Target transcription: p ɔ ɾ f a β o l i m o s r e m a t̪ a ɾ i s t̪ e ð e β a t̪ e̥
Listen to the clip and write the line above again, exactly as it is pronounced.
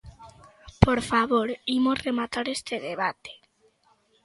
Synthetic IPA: p o ɾ f a β o ɾ i m o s r e m a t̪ a ɾ e s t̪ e ð e β a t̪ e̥